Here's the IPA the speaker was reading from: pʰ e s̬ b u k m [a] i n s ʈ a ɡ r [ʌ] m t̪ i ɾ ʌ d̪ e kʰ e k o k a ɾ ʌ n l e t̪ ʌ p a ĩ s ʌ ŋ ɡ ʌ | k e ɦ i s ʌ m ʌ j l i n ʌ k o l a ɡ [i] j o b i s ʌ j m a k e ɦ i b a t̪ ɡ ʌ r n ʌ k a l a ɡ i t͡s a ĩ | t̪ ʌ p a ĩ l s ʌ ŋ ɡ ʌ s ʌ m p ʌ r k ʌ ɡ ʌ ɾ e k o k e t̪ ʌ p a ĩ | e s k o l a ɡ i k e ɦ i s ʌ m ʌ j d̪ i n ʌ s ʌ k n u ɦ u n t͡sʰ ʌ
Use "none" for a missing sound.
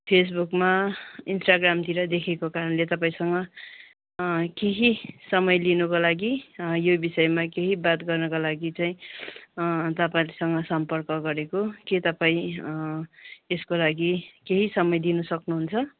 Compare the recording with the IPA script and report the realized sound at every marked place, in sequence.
a, a, i

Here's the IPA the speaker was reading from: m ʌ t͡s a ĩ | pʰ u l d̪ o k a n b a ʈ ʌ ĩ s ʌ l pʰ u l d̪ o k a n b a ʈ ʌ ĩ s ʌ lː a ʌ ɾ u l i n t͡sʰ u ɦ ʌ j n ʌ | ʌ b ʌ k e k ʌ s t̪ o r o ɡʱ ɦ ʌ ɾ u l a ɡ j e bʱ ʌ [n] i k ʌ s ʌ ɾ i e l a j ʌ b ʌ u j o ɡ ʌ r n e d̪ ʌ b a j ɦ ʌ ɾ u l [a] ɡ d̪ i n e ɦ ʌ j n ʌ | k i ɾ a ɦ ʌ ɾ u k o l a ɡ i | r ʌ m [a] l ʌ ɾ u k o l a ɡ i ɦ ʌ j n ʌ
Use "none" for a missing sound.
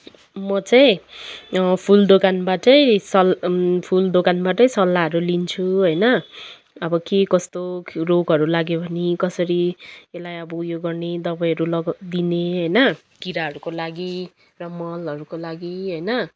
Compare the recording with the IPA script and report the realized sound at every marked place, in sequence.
n, ʌ, ʌ

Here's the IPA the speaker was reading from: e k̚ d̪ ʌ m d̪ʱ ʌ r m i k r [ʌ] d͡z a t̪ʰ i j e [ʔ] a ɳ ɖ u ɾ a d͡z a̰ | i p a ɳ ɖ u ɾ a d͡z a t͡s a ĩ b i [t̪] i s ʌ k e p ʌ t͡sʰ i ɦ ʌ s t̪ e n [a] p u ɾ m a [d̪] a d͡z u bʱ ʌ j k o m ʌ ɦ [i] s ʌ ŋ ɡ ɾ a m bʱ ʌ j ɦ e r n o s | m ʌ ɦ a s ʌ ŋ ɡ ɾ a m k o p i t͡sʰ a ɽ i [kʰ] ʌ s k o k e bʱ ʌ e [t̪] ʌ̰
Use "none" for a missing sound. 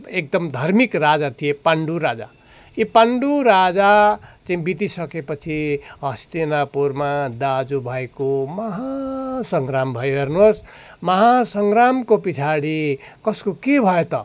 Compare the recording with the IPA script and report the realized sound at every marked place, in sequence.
a, p, t̪, a, d̪, a, k, t̪

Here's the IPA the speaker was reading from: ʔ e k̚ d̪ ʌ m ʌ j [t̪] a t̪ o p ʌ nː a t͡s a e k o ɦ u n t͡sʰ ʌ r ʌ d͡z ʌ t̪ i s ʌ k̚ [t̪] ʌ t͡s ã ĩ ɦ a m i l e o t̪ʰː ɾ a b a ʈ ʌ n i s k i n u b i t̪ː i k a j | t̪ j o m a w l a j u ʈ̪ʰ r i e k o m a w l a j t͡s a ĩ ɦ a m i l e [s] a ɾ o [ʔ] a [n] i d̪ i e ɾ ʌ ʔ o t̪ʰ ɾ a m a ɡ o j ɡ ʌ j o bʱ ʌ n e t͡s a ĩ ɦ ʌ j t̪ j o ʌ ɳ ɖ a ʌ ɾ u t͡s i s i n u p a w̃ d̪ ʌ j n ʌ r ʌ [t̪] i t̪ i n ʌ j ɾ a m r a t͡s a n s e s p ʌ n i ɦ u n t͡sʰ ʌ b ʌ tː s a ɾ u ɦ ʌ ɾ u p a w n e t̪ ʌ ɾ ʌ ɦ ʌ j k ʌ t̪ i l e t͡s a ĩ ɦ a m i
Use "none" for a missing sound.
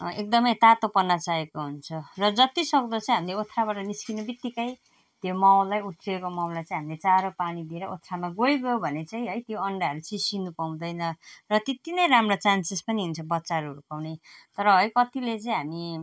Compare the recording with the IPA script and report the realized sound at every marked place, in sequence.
t̪, d̪, t͡s, p, n, t̪

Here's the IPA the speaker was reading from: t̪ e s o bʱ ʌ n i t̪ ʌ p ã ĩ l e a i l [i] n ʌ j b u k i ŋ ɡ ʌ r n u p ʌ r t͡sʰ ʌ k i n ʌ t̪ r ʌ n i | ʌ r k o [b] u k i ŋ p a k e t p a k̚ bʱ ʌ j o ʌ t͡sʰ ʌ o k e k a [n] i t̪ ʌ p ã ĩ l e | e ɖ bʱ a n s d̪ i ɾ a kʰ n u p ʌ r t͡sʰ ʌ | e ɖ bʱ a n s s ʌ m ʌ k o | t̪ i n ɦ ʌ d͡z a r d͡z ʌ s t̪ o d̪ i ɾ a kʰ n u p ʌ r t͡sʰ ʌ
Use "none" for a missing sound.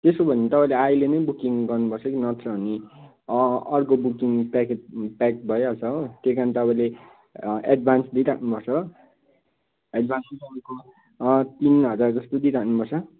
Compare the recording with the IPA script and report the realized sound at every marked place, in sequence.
e, b, n

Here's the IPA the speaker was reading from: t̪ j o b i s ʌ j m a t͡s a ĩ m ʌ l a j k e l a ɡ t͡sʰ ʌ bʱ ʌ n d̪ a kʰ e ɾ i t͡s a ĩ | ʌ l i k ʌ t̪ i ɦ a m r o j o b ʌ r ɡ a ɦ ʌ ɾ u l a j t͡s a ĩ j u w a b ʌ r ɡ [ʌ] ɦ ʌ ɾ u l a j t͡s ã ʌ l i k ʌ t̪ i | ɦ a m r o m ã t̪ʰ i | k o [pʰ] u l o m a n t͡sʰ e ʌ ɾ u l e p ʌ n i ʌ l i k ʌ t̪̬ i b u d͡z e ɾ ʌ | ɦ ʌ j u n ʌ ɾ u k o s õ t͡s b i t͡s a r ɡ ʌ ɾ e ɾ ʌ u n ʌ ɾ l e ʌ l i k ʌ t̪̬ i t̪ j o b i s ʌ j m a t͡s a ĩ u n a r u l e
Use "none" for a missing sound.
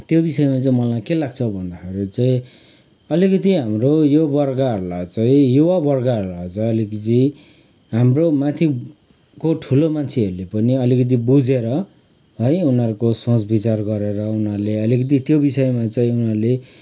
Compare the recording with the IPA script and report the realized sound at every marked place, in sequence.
a, ʈʰ

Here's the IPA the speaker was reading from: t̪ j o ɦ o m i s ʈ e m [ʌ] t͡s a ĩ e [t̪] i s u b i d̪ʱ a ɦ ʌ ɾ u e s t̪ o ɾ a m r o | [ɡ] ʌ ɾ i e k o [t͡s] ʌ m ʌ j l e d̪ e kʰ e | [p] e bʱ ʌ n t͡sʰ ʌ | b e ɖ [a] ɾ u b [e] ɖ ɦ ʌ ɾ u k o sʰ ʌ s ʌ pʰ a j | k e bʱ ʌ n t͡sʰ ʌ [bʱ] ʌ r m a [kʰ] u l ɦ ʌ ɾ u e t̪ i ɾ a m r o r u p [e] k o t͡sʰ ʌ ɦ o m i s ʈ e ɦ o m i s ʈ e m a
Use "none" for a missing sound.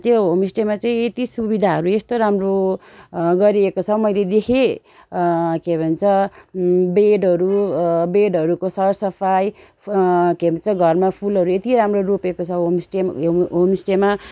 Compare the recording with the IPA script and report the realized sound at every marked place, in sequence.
a, t̪, ɡ, t͡sʰ, k, ʌ, e, ɡʱ, pʰ, e

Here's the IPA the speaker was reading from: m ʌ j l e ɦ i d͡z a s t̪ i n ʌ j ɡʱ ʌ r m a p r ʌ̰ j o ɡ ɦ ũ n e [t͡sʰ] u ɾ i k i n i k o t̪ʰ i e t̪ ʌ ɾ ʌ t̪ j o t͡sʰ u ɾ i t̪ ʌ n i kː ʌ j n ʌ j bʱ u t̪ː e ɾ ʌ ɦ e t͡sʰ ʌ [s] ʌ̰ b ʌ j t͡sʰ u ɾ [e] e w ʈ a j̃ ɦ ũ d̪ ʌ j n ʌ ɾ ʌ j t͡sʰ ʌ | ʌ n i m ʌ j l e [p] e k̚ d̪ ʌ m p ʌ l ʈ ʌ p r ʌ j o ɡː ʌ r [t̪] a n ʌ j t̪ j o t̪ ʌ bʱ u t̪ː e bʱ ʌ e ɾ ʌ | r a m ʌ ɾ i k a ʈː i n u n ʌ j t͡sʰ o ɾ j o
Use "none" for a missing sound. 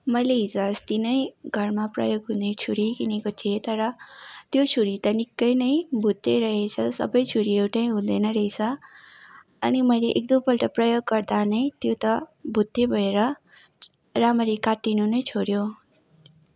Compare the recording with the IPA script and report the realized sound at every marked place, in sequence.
t͡sʰ, s, i, ʔ, d̪

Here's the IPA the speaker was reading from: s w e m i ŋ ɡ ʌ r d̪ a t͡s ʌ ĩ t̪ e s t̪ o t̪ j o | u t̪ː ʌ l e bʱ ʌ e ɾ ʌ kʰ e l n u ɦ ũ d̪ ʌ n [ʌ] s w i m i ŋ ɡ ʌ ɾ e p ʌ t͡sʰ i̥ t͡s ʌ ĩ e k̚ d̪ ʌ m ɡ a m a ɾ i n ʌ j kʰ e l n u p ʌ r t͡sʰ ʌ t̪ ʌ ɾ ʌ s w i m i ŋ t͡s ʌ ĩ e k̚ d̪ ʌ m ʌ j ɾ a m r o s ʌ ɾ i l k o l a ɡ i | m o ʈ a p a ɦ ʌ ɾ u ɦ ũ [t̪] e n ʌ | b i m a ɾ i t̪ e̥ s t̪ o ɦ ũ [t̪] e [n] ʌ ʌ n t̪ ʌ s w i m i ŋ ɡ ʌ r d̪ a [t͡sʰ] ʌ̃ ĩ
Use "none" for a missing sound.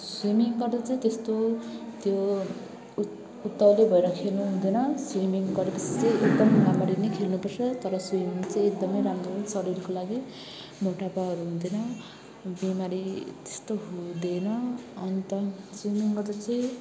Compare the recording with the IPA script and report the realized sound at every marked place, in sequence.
ʌ, d̪, d̪, n, t͡s

